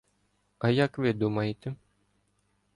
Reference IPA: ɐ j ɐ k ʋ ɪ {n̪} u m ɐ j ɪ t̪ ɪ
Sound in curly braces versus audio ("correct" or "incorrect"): incorrect